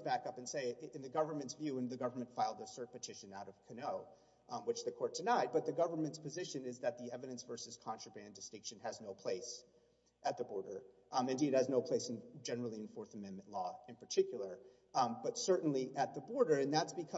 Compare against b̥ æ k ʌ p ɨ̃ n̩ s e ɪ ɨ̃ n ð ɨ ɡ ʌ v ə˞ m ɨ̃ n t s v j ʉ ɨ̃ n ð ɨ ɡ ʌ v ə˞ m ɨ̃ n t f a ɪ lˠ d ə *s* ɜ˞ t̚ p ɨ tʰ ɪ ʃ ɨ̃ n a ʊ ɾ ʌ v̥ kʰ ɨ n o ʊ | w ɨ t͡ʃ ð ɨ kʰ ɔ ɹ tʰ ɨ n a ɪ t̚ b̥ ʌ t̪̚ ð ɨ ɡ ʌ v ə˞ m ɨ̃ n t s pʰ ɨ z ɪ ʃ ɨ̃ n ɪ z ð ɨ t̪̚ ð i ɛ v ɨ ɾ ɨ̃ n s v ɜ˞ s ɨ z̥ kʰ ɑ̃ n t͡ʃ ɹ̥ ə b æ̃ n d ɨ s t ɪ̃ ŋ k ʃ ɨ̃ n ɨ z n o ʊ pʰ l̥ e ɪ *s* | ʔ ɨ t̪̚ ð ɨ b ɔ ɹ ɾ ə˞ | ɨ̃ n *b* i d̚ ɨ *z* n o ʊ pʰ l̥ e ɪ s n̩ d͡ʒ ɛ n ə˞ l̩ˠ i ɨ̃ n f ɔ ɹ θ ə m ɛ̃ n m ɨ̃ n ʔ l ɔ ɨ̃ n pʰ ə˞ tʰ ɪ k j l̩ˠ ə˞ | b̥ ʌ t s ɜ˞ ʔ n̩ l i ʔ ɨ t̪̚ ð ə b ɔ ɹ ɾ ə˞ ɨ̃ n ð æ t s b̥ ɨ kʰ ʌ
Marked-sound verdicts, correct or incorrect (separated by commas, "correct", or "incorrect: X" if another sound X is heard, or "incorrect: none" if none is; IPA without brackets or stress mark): correct, correct, incorrect: d, correct